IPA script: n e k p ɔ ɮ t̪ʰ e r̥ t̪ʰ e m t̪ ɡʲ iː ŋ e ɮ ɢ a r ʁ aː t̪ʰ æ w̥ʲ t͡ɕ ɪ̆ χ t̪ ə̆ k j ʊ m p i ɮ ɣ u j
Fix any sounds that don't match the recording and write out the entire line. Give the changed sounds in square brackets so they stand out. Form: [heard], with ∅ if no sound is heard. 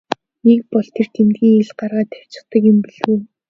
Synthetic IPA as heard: n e k p ɔ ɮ t̪ʰ e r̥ t̪ʰ e m t̪ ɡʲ iː ŋ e ɮ ɢ a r ʁ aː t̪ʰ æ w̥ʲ t͡ɕ ɪ̆ χ t̪ ə̆ k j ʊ m p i ɮ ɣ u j